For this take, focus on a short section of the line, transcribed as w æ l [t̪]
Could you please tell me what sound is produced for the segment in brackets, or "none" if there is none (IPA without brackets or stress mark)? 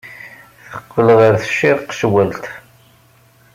t̪